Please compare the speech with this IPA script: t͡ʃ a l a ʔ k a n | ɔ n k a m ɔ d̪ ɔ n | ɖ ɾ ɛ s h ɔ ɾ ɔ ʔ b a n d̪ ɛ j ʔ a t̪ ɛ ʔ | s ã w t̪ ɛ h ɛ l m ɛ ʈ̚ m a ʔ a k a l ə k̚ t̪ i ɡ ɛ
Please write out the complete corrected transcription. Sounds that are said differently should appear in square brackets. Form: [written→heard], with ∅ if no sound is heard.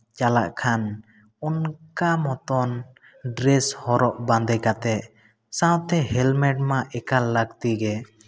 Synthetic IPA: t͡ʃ a l a ʔ [k→kʰ] a n | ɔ n k a m ɔ [d̪→t̪] ɔ n | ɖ ɾ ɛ s h ɔ ɾ ɔ ʔ b a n d̪ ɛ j [ʔ→k] a t̪ ɛ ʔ | s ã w t̪ ɛ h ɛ l m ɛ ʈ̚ m a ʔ [a→ɛ] k a l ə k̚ t̪ i ɡ ɛ